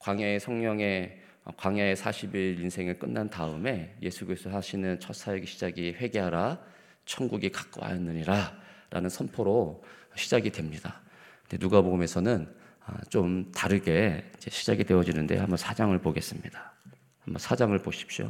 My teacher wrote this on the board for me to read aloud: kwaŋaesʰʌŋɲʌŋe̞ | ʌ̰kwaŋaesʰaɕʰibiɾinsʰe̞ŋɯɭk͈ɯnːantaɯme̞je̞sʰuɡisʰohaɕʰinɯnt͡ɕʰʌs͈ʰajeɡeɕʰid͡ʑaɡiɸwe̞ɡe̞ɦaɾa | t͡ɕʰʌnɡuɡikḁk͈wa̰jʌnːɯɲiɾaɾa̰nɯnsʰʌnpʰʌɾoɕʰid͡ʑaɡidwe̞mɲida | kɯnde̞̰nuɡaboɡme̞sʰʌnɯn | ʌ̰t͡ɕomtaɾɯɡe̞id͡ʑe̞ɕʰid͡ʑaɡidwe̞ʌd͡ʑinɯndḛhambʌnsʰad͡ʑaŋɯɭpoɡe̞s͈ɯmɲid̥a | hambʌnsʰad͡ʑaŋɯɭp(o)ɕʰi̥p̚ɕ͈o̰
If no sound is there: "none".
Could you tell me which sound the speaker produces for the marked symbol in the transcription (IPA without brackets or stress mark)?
o